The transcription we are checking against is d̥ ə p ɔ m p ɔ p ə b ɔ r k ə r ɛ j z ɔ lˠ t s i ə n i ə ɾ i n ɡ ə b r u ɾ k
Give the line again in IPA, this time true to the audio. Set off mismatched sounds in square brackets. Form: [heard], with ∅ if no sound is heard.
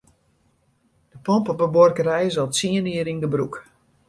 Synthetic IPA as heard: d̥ ə p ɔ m p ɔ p ə b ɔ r k ə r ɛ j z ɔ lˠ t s i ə n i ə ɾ i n ɡ ə b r u [∅] k